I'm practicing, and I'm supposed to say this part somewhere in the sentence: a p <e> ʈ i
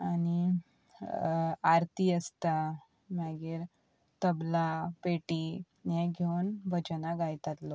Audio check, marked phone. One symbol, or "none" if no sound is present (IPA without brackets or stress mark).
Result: e